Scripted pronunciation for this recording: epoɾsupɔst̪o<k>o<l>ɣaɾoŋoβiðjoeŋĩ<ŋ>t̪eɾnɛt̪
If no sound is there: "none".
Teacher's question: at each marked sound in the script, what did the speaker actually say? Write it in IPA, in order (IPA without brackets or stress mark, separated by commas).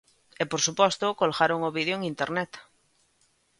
k, l, n